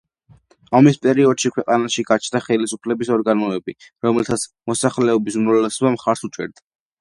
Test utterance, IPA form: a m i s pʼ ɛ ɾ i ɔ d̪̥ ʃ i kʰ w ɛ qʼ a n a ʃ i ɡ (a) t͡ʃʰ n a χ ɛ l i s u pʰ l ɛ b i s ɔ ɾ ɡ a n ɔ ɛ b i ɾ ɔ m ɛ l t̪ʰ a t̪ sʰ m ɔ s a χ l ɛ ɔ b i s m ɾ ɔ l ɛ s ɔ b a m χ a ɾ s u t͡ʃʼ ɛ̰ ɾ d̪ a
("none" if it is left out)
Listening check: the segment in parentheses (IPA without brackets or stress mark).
a